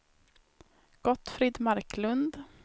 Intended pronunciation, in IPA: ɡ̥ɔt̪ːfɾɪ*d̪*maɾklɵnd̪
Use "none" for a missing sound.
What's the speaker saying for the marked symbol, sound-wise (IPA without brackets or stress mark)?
d̪